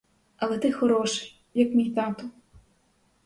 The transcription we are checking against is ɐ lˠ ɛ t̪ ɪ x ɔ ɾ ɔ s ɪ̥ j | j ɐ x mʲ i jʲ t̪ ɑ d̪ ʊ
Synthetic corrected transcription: ɐ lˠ ɛ t̪ ɪ x ɔ ɾ ɔ ʃ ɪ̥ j | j ɐ k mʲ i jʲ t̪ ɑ t̪ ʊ